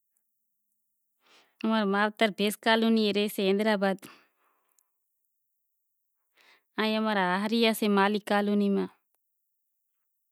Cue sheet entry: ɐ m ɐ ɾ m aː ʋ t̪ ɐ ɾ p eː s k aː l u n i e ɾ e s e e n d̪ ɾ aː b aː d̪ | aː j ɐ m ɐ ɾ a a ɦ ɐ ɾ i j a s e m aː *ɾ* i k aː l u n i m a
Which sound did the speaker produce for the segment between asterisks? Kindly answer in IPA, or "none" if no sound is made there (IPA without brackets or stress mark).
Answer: l